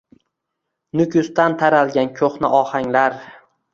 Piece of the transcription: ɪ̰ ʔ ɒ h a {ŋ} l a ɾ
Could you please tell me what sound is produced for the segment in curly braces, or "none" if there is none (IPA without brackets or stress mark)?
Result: ŋ